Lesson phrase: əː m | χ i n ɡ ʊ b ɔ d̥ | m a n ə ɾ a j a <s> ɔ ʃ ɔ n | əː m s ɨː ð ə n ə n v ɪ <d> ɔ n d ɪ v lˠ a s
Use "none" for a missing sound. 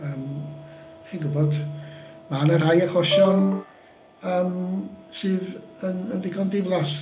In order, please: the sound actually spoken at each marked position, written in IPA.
χ, ɡ

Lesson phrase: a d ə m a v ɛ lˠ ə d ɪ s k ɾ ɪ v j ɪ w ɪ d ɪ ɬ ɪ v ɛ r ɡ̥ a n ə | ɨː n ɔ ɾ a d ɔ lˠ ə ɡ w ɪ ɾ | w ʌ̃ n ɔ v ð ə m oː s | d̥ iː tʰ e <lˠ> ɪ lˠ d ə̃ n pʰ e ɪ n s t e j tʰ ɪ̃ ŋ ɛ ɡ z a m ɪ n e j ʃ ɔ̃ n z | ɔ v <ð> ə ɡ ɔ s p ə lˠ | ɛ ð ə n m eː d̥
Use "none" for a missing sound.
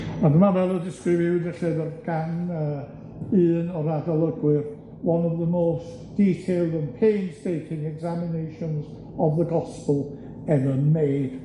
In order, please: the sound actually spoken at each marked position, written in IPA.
none, ð

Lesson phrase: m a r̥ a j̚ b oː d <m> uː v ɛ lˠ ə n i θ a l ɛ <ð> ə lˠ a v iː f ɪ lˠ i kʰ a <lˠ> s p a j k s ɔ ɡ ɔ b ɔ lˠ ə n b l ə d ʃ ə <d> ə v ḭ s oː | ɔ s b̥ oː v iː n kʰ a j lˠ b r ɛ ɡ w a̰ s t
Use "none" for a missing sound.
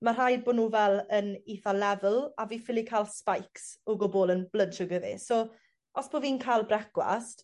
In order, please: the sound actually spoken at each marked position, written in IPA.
n, v, lˠ, ɡ

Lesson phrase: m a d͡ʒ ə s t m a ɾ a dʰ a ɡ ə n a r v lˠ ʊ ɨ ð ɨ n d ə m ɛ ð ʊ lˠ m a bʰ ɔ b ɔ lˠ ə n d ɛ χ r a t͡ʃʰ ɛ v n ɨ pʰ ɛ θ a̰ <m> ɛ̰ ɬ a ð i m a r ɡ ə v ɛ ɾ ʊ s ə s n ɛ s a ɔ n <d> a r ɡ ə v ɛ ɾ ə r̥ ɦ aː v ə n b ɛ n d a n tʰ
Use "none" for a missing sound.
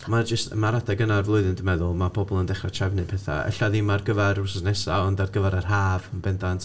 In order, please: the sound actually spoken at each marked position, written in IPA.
none, d

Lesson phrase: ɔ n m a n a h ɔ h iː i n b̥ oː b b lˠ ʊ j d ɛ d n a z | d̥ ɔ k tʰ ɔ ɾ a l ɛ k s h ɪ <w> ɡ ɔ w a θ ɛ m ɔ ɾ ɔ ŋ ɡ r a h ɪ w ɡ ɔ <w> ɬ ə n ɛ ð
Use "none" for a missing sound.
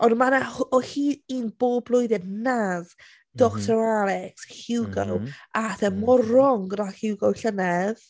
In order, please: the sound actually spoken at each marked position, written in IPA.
w, w

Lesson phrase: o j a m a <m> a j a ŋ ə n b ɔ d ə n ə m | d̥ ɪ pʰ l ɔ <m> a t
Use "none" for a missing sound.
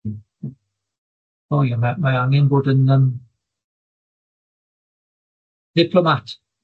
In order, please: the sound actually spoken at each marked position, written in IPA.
m, m

